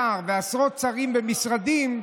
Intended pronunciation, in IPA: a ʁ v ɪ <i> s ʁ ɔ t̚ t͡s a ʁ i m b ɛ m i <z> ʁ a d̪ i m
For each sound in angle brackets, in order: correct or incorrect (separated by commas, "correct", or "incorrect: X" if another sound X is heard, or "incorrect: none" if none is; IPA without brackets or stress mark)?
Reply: incorrect: a, incorrect: s